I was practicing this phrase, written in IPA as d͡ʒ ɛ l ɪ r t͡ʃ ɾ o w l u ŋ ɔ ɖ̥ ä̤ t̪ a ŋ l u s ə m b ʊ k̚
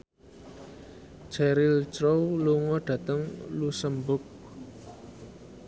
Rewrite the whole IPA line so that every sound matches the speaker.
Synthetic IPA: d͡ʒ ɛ ɾ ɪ l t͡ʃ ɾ o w l u ŋ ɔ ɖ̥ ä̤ t̪ ə ŋ l u s ə m b ʊ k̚

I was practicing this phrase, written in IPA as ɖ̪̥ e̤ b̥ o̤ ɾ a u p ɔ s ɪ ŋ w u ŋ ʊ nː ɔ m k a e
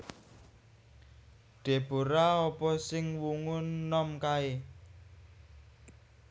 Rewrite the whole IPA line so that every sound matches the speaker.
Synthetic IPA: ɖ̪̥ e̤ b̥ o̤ ɾ a ɔ p ɔ s ɪ ŋ w u ŋ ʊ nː ɔ m k a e

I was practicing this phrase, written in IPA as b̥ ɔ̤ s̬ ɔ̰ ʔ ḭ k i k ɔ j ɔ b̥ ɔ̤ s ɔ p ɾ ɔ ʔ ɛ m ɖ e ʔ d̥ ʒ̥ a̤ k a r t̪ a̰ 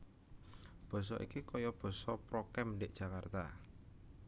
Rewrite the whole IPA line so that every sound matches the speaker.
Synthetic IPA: b̥ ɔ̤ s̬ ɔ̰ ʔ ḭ k i k ɔ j ɔ b̥ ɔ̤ s ɔ p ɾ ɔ k ɛ m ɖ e ʔ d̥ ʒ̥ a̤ k a r t̪ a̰

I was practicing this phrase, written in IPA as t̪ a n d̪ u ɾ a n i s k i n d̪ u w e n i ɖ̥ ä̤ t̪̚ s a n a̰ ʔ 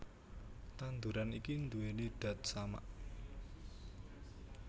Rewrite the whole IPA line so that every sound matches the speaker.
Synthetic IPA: t̪ a n d̪ u ɾ a n i k i n d̪ u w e n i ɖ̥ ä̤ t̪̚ s a m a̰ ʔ

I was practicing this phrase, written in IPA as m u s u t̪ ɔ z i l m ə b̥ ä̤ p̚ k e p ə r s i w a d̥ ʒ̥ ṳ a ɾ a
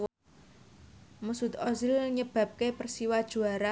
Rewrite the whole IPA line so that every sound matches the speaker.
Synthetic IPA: m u s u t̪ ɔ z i l ɲ ə b̥ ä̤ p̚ k e p ə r s i w a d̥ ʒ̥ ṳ a ɾ a

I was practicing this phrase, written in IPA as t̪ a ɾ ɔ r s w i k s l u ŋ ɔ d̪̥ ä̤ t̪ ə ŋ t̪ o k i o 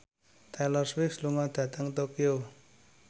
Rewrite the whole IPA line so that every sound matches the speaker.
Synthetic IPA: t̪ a l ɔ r s w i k s l u ŋ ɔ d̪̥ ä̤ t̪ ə ŋ t̪ o k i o

